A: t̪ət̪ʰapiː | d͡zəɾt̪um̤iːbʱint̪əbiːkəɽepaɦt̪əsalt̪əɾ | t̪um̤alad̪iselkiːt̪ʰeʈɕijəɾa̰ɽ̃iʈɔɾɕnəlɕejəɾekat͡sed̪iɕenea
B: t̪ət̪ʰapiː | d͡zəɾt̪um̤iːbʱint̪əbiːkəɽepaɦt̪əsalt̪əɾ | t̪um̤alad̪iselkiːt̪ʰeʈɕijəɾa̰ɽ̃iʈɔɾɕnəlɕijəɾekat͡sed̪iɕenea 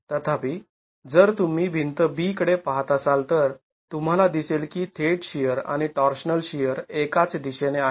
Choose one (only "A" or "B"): B